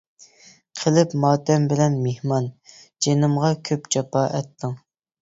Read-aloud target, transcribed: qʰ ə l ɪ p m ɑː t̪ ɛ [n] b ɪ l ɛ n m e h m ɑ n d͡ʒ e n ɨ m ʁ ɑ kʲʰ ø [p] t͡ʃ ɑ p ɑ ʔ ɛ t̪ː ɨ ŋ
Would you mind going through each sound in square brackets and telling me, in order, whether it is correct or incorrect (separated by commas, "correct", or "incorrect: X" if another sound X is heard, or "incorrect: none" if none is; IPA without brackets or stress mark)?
incorrect: m, correct